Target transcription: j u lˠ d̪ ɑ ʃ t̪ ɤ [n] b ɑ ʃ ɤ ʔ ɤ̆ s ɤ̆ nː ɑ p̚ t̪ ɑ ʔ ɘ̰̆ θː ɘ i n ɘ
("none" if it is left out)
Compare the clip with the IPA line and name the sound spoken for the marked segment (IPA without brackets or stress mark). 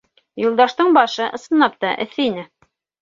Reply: ɴ